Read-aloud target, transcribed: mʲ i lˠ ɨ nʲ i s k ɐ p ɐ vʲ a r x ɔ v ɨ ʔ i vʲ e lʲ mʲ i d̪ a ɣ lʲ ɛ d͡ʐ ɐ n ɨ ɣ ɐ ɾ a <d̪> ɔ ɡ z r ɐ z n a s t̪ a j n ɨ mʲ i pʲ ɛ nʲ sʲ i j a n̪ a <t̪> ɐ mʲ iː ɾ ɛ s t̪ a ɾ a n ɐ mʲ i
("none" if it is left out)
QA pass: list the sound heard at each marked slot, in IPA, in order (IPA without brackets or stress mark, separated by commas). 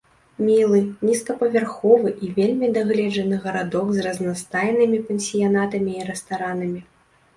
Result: d̪, t̪